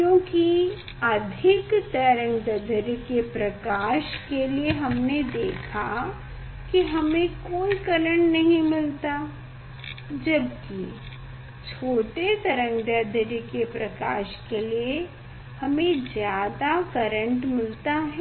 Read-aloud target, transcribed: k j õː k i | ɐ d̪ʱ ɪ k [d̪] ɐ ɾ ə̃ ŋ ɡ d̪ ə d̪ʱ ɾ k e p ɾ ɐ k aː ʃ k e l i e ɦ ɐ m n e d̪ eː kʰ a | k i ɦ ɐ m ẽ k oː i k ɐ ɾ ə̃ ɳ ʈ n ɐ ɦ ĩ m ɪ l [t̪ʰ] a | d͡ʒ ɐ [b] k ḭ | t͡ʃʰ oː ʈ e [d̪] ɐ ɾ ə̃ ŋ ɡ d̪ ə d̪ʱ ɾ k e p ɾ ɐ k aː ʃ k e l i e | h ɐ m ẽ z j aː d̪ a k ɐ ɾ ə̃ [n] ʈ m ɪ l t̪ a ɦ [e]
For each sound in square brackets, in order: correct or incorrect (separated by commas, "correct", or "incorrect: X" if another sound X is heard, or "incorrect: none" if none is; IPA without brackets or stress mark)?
incorrect: t̪, incorrect: t̪, correct, incorrect: t̪, incorrect: ɳ, incorrect: ɛ